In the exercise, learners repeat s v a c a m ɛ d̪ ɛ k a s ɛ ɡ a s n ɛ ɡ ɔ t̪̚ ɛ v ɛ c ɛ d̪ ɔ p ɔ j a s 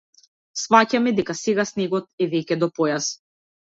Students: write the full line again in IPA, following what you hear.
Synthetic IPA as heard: s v a c a m ɛ d̪ ɛ k a s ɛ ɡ a s n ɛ ɡ ɔ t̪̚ ɛ v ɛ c ɛ d̪ ɔ p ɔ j a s